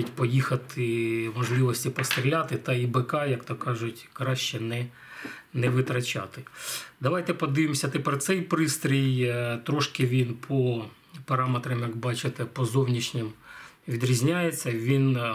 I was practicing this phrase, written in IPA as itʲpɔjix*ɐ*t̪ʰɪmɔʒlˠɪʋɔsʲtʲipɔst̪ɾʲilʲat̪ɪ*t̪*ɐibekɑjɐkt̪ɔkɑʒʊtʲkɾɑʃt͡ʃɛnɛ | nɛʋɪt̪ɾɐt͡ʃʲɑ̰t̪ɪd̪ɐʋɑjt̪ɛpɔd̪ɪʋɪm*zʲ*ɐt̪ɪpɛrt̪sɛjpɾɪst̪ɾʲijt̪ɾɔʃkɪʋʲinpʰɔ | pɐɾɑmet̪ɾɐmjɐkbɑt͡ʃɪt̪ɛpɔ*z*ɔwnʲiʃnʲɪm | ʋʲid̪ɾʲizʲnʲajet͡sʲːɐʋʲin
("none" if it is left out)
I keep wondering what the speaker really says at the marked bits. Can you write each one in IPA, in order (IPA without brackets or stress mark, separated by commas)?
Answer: ɐ, t̪, sʲ, z